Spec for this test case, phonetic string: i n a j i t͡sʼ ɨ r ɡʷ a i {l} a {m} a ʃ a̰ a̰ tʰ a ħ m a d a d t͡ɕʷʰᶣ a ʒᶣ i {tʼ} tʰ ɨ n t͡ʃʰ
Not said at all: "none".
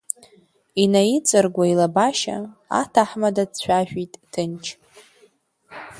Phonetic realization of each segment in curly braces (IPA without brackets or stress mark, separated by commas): l, b, tʼ